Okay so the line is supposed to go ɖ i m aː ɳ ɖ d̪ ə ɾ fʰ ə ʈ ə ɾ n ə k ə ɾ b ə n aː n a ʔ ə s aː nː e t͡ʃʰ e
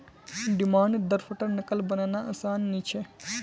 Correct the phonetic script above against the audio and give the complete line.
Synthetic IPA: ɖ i m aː ɳ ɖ d̪ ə ɾ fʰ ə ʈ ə ɾ n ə k ə l b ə n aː n a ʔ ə s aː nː i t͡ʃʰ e

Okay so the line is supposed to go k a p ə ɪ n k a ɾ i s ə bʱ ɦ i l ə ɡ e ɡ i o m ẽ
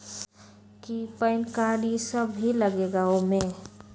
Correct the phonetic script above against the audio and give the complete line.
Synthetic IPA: k i p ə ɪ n k a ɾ i s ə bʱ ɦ i l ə ɡ e ɡ a o m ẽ

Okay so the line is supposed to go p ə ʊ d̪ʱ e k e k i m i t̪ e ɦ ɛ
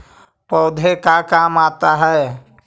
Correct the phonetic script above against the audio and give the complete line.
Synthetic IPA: p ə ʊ d̪ʱ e k a k a m a t̪ a ɦ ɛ

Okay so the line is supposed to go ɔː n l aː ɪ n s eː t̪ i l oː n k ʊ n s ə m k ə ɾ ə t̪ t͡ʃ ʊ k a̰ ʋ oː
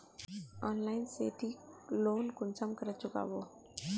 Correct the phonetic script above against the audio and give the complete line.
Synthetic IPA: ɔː n l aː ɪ n s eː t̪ i l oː n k ʊ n s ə m k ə ɾ ə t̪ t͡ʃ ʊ k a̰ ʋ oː

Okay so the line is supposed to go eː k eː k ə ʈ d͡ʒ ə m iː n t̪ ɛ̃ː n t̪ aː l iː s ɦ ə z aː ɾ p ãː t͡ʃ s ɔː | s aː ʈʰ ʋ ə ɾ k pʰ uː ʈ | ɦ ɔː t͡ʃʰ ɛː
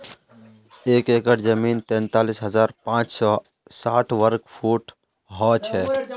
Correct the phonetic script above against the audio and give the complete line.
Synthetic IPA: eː k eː k ə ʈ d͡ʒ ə m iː n t̪ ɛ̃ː n t̪ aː l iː s ɦ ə z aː ɾ p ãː t͡ʃ s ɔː | s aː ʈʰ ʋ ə ɾ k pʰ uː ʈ | ɦ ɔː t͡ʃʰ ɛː

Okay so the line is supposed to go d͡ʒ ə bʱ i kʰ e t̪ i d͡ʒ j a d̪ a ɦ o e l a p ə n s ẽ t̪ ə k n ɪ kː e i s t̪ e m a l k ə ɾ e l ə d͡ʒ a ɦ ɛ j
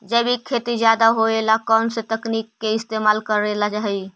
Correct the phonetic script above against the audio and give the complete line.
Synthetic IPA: d͡ʒ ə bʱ i kʰ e t̪ i d͡ʒ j a d̪ a ɦ o e l a k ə n s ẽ t̪ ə k n i kː e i s t̪ e m a l k ə ɾ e l a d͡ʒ a ɦ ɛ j

